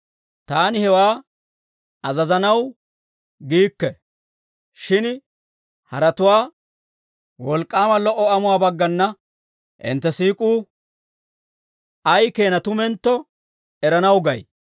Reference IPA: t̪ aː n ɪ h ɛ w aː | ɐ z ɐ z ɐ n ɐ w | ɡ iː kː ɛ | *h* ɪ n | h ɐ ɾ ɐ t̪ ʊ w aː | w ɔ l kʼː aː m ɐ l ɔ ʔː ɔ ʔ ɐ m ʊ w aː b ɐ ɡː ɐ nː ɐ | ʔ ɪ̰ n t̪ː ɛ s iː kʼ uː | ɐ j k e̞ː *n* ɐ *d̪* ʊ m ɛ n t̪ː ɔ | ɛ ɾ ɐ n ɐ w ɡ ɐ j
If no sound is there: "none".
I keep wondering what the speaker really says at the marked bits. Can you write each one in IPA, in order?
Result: ʃ, n, t̪

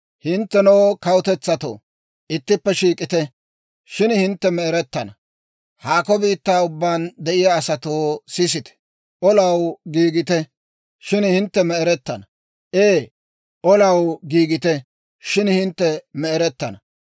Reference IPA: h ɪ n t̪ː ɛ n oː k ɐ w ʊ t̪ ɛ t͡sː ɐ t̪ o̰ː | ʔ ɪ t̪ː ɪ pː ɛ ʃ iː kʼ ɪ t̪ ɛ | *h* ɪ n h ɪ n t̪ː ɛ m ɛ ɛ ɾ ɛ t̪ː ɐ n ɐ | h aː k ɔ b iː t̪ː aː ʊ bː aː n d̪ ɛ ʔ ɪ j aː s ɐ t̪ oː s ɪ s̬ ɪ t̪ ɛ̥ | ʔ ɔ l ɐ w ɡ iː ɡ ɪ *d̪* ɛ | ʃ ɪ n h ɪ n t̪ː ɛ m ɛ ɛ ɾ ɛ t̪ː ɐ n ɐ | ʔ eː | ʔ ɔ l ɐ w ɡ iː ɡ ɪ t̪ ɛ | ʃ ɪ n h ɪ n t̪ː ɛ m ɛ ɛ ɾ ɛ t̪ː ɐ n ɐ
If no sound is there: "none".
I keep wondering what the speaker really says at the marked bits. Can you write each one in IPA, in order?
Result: ʃ, t̪

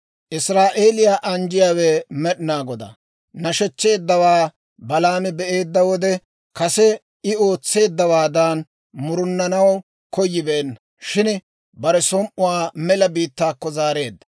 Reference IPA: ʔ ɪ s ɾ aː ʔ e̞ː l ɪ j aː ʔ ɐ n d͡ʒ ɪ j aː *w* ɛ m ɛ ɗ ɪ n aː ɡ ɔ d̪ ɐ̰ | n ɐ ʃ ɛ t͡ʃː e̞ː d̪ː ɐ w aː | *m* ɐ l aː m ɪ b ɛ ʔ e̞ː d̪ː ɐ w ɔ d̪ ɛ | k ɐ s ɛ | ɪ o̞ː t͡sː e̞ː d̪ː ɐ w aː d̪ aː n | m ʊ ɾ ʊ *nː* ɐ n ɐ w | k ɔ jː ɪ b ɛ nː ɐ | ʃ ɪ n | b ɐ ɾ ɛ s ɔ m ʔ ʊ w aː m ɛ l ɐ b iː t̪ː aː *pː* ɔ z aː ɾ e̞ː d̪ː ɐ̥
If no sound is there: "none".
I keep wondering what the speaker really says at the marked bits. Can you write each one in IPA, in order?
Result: w, b, nː, kː

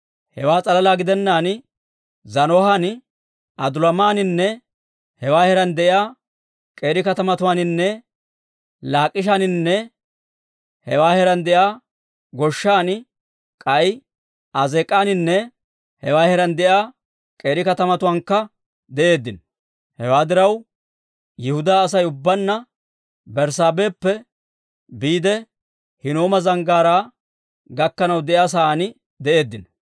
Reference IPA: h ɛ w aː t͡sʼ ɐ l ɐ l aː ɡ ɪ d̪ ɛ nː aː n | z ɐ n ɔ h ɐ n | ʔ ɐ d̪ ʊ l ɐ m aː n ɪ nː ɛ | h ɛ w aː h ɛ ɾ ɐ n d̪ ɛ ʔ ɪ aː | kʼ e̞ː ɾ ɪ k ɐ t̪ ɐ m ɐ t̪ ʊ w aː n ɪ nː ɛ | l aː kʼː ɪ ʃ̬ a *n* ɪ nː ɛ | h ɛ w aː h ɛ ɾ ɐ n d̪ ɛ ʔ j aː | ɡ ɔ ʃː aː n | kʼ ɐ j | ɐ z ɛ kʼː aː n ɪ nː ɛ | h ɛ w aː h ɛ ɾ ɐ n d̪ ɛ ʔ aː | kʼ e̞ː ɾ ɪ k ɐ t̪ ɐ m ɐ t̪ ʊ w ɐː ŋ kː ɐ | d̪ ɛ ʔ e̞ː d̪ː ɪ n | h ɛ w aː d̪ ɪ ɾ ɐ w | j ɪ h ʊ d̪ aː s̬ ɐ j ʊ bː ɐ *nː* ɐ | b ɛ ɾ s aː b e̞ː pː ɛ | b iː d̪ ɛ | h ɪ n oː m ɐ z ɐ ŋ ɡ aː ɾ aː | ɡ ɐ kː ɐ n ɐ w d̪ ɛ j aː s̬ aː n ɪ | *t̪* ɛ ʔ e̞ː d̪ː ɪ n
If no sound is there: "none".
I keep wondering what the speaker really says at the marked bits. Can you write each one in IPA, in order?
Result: n, nː, d̪

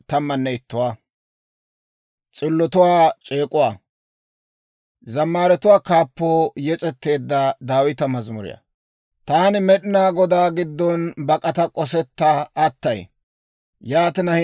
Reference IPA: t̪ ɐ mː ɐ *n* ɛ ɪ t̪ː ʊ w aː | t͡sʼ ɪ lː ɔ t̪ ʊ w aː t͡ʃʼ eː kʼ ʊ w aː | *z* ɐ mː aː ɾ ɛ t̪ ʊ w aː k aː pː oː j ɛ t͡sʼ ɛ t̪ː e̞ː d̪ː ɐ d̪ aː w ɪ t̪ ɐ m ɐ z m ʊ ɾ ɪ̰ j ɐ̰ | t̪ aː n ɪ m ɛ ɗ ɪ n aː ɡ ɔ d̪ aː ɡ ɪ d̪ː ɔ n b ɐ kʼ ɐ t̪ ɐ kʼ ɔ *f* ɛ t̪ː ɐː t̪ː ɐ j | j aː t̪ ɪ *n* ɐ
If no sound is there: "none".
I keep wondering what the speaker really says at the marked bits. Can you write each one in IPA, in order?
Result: nː, z, s, n

